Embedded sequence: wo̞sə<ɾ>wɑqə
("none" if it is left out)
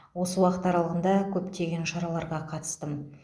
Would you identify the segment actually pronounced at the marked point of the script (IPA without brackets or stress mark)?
none